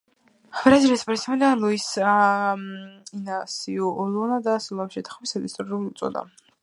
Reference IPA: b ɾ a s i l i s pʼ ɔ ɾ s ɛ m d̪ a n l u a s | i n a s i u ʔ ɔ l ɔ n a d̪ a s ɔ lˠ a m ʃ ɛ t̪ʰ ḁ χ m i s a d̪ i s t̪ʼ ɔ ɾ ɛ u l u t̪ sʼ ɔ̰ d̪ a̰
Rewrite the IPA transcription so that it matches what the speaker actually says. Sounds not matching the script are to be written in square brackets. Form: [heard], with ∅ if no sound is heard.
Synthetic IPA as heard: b ɾ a [z] i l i s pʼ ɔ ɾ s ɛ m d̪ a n l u [i] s | i n a s i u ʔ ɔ l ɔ n a d̪ a s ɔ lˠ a m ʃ ɛ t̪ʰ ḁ χ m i s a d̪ i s t̪ʼ ɔ ɾ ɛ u l u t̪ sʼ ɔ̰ d̪ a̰